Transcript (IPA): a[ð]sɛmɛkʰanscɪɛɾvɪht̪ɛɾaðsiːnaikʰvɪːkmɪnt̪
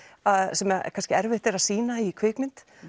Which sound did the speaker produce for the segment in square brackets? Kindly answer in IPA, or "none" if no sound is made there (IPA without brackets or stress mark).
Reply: ð